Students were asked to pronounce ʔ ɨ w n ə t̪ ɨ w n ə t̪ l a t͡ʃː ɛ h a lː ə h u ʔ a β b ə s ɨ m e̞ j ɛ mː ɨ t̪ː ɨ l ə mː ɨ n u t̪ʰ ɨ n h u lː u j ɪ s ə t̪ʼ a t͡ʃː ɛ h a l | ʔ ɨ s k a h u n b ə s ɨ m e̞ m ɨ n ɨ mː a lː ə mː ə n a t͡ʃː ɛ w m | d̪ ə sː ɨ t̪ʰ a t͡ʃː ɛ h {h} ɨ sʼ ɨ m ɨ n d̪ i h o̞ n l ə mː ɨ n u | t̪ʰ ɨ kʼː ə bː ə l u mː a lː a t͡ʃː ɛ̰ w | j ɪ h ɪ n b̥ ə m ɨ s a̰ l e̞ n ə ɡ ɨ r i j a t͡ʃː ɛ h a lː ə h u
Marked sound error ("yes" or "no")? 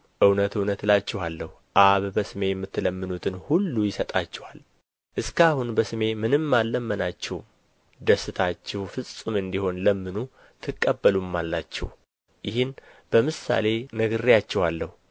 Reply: yes